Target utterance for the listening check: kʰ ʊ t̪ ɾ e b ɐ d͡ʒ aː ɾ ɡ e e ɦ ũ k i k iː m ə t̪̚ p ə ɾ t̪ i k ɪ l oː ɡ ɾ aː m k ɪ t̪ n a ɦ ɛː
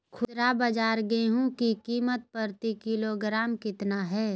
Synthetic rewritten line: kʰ ʊ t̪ ɾ a b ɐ d͡ʒ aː ɾ ɡ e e ɦ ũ k i k iː m ə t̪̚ p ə ɾ t̪ i k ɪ l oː ɡ ɾ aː m k ɪ t̪ n a ɦ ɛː